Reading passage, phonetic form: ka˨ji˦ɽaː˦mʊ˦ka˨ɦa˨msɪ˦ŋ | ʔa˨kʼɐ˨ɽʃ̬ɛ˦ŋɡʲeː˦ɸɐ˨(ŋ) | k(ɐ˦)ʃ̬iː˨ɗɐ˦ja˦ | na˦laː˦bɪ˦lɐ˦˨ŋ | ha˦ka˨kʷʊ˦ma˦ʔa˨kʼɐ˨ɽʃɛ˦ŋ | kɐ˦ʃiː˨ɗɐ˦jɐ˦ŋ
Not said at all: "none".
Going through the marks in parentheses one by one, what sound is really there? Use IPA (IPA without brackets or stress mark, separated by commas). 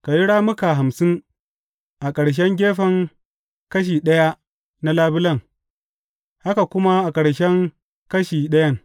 ŋ, ɐ˦